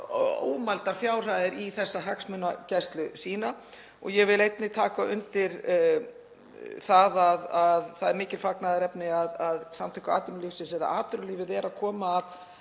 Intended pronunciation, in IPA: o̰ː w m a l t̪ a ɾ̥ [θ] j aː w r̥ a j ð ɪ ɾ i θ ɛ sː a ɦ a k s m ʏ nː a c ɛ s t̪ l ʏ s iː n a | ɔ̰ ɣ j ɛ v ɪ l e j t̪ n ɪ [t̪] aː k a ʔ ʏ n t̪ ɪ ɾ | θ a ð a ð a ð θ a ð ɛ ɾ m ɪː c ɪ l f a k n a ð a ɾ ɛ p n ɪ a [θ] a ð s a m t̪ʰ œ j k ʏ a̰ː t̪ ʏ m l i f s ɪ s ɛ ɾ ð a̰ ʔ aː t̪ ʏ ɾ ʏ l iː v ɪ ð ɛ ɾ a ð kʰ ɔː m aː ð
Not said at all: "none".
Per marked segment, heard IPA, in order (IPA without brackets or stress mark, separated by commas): f, t̪ʰ, ð